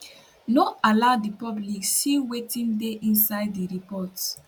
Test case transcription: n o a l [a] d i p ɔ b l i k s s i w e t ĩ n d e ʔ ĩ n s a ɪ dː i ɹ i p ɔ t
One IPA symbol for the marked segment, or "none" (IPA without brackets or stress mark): a